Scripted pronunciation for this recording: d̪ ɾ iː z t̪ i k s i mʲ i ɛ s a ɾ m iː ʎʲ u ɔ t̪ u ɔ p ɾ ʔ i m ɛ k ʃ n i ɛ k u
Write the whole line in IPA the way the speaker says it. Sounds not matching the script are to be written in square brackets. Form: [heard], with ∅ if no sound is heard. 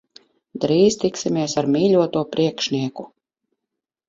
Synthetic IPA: d̪ ɾ iː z t̪ i k s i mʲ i ɛ s a ɾ m iː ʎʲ u ɔ t̪ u ɔ p ɾ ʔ i [∅] ɛ k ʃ n i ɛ k u

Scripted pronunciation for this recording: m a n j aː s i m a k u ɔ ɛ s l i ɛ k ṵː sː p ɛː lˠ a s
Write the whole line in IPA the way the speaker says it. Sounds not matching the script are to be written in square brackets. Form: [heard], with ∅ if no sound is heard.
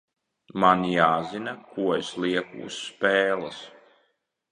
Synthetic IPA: m a n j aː [z] i [n] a k u ɔ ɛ s l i ɛ k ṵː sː p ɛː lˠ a s

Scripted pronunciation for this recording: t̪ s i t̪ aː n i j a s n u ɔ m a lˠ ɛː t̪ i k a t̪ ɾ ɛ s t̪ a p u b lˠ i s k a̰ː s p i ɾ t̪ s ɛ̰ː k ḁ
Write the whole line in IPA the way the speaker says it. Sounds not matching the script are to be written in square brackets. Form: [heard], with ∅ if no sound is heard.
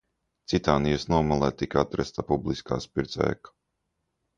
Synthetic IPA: t̪ s i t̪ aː n i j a s n u ɔ m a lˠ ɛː t̪ i k a t̪ ɾ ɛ s t̪ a p u b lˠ i s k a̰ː s p i ɾ t̪ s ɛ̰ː k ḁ

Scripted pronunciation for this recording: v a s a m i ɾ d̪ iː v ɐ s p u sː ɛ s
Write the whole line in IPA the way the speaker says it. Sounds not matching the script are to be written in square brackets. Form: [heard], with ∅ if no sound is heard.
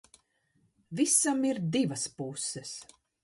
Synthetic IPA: v [i] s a m i ɾ d̪ [i] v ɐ s p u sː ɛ s

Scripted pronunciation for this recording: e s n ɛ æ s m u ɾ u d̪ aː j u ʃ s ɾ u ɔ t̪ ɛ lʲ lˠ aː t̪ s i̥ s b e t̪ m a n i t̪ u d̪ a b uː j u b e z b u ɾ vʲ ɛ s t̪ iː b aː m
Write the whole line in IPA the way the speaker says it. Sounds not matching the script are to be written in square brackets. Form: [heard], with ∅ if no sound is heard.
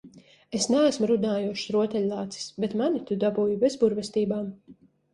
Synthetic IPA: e s n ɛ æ s m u ɾ u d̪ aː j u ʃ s ɾ u ɔ t̪ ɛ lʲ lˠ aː t̪ s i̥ s b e t̪ m a n i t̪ u d̪ a b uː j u b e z b u ɾ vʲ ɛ s t̪ iː b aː m

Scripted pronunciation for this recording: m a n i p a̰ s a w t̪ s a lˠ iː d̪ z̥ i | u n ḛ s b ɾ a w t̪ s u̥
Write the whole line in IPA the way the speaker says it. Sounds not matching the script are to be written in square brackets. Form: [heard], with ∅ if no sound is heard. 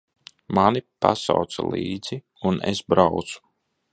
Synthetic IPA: m a n i p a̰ s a w t̪ s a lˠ iː d̪ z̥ i | u n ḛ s b ɾ a w t̪ s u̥

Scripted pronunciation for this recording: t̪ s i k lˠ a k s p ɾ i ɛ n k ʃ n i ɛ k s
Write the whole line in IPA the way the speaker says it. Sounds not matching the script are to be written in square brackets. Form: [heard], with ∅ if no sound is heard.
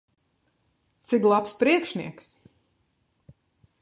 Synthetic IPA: t̪ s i k lˠ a [p] s p ɾ i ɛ [∅] k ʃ n i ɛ k s

